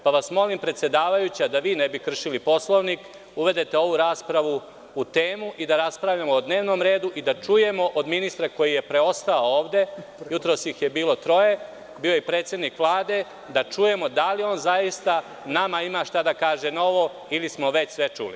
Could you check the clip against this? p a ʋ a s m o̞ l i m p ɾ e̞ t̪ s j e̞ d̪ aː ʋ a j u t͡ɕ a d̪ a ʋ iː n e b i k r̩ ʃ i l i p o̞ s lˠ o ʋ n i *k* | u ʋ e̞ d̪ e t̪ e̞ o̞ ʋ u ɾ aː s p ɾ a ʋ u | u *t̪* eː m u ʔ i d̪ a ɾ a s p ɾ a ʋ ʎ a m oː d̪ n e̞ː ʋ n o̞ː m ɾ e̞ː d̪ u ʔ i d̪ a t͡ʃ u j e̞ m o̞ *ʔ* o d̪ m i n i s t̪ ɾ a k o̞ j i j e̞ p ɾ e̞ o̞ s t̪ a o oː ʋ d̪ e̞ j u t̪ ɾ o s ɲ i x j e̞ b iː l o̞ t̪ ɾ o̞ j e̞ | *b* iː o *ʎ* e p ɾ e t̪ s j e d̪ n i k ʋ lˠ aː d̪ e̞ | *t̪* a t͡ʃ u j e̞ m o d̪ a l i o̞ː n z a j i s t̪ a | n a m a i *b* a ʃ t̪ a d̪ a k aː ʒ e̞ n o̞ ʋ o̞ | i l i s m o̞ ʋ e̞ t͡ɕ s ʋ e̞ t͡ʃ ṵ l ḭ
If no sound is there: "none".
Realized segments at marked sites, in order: k, t̪, ʔ, b, j, d̪, m

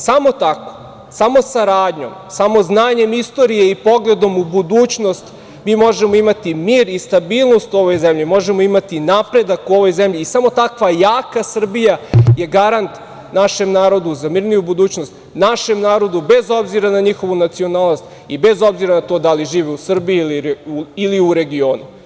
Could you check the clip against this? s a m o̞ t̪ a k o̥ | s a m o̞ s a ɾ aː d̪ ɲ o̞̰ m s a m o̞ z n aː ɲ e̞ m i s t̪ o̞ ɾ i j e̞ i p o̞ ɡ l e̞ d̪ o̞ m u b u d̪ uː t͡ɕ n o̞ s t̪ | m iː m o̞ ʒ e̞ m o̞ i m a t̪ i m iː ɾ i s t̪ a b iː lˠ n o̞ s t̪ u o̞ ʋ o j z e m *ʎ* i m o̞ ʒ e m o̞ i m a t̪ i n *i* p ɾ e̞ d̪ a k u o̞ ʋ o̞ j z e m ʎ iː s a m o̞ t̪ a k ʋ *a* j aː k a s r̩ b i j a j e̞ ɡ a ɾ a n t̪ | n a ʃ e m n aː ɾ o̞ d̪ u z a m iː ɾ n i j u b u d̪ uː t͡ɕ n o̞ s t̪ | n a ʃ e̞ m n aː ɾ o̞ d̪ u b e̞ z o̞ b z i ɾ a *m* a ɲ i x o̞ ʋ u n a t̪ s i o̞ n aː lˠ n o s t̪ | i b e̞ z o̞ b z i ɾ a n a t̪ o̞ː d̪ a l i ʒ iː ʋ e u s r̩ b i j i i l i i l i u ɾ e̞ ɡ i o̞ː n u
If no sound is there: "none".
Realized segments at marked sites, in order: ʎ, a, a, n

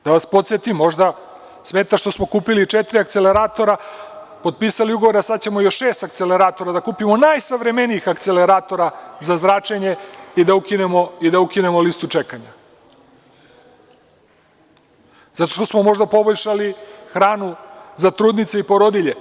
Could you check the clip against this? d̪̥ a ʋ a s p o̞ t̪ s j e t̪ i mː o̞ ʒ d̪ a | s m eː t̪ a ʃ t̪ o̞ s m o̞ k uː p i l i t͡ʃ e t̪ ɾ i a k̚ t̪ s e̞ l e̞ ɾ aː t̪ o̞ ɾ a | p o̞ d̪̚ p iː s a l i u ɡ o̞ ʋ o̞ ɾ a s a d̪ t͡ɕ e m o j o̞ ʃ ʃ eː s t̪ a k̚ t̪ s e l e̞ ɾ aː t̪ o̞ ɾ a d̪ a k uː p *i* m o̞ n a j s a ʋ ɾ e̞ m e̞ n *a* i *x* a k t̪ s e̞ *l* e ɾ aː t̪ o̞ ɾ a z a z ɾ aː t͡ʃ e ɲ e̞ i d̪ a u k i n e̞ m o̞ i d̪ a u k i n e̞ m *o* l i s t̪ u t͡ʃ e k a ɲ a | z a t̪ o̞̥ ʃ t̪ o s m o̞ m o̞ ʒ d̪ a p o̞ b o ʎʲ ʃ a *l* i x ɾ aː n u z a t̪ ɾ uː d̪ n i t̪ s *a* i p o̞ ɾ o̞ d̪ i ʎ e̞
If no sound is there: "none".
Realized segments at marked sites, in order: i, i, x, l, o, l, e

